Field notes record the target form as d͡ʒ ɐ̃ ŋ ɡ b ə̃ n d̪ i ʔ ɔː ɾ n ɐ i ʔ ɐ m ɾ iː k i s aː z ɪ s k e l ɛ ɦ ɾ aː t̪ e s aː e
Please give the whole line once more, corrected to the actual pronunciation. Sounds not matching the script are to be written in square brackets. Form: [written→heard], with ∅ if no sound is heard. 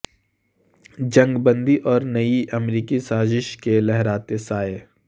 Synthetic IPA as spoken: d͡ʒ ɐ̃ ŋ ɡ b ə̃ n d̪ i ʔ ɔː ɾ n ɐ i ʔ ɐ m ɾ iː k i s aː z ɪ [s→ʃ] k e l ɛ ɦ ɾ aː t̪ e s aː e